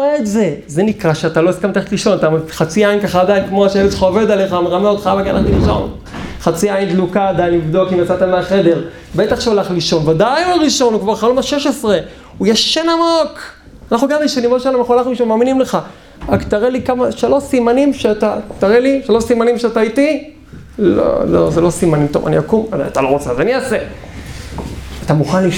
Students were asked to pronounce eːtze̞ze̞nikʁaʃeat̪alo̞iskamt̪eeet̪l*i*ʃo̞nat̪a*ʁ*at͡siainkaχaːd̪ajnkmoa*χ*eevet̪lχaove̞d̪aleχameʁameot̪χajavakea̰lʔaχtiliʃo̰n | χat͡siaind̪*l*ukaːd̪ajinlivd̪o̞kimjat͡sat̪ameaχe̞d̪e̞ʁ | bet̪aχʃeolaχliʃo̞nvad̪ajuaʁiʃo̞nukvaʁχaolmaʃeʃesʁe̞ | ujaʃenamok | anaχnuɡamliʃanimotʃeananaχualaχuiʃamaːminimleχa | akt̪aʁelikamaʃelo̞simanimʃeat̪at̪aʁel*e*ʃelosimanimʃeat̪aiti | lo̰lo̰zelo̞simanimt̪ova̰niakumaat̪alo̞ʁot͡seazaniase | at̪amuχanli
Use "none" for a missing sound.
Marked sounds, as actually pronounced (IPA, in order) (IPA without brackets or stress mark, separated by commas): i, χ, ʃ, l, i